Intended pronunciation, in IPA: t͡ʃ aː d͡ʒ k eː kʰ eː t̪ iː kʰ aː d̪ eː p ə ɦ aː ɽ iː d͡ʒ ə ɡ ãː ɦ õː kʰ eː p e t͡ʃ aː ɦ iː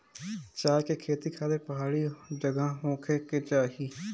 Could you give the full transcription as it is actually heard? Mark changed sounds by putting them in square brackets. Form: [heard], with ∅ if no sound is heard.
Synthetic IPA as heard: t͡ʃ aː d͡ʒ k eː kʰ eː t̪ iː kʰ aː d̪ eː p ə ɦ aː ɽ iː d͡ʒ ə ɡ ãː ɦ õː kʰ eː [k] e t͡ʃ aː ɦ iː